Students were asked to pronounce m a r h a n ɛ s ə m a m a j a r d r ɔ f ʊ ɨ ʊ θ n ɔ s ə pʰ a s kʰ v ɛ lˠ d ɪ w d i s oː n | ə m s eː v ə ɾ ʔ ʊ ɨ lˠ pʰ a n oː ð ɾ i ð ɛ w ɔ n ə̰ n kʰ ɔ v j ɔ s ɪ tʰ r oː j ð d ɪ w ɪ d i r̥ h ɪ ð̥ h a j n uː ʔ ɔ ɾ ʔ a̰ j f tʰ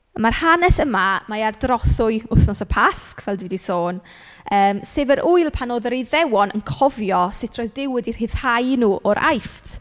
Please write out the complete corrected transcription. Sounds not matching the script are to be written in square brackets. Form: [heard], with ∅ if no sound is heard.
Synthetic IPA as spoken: m a r h a n ɛ s ə m a m a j a r d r ɔ [θ] ʊ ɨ ʊ θ n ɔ s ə pʰ a s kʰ v ɛ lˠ d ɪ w d i s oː n | [əː] m s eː v ə ɾ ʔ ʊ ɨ lˠ pʰ a n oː ð ɾ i ð ɛ w ɔ n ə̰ n kʰ ɔ v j ɔ s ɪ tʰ r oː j ð d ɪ w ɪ d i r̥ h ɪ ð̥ h a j n uː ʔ ɔ ɾ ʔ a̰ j f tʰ